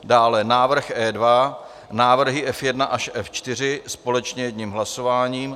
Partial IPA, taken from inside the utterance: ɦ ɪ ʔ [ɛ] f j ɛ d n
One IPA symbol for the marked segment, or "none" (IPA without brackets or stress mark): ɛ